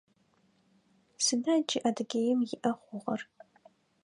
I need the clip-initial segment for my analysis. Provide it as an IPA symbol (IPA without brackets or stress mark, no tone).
s